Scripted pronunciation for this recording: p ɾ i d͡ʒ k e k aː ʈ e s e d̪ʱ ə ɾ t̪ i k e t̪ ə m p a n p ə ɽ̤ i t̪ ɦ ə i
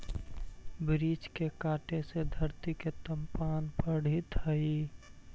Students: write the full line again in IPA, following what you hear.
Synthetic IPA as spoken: b ɾ i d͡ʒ k e k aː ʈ e s e d̪ʱ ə ɾ t̪ i k e t̪ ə m p a n p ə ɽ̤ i t̪ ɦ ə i